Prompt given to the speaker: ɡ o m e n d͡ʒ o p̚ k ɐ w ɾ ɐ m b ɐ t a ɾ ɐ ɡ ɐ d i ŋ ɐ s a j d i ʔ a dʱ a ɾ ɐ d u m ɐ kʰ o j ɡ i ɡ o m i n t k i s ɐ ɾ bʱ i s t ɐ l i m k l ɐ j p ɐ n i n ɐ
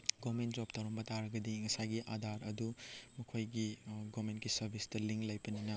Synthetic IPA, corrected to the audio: ɡ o m e n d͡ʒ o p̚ t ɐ w ɾ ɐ m b ɐ t a ɾ ɐ ɡ ɐ d i ŋ ɐ s a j ɡ i ʔ a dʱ a ɾ ɐ d u m ɐ kʰ o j ɡ i ɡ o m e n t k i s ɐ ɾ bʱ i s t ɐ l i ŋ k l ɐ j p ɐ n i n ɐ